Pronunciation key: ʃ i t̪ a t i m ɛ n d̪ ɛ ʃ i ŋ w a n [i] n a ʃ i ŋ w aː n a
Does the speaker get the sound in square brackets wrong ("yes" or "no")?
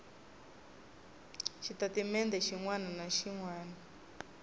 yes